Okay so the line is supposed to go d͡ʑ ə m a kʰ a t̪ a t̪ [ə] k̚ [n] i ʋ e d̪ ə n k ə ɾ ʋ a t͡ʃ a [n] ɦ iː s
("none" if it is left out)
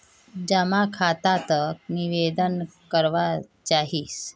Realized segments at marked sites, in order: ə, n, none

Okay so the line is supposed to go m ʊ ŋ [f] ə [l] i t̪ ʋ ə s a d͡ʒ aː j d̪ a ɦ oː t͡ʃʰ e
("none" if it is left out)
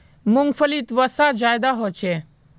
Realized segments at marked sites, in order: f, l

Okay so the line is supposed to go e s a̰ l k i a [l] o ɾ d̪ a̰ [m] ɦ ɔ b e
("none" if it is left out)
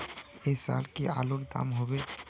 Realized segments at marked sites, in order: l, m

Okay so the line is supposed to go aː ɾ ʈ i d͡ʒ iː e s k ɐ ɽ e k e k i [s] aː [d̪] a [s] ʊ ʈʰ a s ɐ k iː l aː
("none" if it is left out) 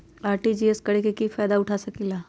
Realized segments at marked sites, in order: f, d̪, none

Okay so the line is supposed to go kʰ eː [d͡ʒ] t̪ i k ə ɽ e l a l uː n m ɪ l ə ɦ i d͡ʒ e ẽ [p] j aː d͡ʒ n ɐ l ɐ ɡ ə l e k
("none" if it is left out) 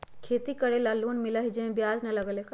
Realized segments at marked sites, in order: none, b

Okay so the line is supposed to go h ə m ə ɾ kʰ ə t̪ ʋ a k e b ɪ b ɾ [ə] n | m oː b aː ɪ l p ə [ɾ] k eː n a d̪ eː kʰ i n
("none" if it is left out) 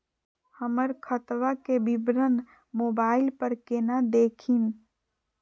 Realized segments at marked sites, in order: ə, ɾ

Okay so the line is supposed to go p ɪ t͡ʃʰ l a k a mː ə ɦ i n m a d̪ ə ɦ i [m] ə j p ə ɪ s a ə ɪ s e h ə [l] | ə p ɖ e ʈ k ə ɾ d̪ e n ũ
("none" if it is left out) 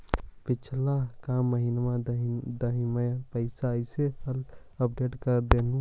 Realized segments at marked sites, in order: m, l

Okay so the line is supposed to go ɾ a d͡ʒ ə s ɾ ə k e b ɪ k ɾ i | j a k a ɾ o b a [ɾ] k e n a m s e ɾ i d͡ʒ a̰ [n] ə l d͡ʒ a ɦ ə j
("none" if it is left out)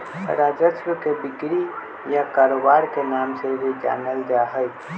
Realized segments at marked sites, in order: ɾ, n

